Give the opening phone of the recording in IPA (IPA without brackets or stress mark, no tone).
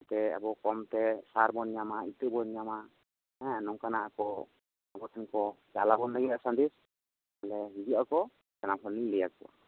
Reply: t̪